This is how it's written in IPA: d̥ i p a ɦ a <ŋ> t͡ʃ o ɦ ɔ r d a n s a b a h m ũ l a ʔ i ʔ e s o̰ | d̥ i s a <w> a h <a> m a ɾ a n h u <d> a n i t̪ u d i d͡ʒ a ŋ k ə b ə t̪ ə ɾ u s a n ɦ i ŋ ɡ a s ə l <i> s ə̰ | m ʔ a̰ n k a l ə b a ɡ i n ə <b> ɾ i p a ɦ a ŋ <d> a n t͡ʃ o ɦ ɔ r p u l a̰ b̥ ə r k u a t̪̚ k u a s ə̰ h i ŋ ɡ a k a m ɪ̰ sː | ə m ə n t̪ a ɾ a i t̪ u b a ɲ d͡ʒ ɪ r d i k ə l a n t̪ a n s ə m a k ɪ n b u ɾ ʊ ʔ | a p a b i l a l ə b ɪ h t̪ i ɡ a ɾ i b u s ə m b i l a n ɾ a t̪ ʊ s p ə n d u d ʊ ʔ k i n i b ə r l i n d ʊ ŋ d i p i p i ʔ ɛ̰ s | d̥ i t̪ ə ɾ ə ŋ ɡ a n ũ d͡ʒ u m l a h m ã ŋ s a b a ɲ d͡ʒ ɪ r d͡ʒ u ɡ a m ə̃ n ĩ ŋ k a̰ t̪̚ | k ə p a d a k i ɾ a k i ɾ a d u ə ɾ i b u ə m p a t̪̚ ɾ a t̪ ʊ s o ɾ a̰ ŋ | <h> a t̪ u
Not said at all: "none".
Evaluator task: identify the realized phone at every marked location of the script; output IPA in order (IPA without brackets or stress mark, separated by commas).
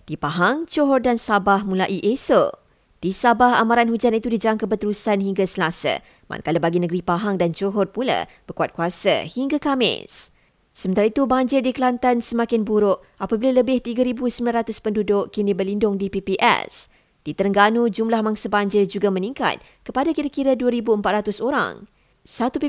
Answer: ŋ, b, a, d͡ʒ, a, ɡ, d, s